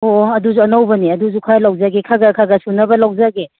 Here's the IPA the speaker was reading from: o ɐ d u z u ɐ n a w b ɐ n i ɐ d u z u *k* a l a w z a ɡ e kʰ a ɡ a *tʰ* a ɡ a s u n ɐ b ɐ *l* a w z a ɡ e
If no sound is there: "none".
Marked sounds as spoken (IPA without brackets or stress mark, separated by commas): kʰ, kʰ, l